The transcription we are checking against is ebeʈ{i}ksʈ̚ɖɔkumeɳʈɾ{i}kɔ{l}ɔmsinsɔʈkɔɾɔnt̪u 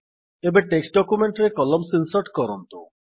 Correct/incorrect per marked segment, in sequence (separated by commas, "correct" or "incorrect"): incorrect, incorrect, correct